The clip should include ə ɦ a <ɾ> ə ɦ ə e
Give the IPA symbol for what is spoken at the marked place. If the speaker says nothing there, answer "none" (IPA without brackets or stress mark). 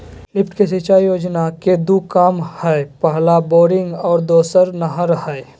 ɾ